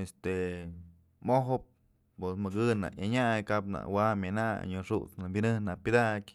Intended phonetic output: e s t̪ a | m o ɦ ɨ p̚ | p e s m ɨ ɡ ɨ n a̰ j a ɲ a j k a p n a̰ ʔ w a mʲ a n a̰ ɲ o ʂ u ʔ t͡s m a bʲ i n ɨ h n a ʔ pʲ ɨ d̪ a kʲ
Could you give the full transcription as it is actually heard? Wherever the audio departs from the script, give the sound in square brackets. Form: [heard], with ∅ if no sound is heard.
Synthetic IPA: e s t̪ [e] | m o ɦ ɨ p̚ | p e s m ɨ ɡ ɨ n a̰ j a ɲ a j k a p n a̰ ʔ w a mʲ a n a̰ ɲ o ʂ u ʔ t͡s [n] a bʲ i n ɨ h n a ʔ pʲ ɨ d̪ a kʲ